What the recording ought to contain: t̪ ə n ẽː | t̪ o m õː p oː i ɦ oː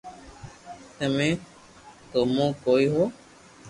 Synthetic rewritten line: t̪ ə m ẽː | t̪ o m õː k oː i ɦ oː